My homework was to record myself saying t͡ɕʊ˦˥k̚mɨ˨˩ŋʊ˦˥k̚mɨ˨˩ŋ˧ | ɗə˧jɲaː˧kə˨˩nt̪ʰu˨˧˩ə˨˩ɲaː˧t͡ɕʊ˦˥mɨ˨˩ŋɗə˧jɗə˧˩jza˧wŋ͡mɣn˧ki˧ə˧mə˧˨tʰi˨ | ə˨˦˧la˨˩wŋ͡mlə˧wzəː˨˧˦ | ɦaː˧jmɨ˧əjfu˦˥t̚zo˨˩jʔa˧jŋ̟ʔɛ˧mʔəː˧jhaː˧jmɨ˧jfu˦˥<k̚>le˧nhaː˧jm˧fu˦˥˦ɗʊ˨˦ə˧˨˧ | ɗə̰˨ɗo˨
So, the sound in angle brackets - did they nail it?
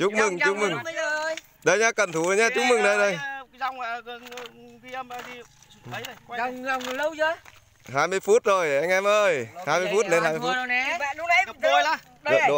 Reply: no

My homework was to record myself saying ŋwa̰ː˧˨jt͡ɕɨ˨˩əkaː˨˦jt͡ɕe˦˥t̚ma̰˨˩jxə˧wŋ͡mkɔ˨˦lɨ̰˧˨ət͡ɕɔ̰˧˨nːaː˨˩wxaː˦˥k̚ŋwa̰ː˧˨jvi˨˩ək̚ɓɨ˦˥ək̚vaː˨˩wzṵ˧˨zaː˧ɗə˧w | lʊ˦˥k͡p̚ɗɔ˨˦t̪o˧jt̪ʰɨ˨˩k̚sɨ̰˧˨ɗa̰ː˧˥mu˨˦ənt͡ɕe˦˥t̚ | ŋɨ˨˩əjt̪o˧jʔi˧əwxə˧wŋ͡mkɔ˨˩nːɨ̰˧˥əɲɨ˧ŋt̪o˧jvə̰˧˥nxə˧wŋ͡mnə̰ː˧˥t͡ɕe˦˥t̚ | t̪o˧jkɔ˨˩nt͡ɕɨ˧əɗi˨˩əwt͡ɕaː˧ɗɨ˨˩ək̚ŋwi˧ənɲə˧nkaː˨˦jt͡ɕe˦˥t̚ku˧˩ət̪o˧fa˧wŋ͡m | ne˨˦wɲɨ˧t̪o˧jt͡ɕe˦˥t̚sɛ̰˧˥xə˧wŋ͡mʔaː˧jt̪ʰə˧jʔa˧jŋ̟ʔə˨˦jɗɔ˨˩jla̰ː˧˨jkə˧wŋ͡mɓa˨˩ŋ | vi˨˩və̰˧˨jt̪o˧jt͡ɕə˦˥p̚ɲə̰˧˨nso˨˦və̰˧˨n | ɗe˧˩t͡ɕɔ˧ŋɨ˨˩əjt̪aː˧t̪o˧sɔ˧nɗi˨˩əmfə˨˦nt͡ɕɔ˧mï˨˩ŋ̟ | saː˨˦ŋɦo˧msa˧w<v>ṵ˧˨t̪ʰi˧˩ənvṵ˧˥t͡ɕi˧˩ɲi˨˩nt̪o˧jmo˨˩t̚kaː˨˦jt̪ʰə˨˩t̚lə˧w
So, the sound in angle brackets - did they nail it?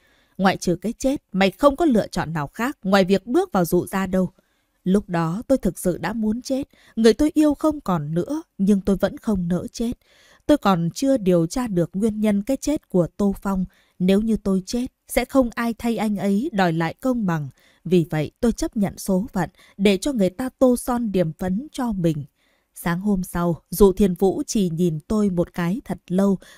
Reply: no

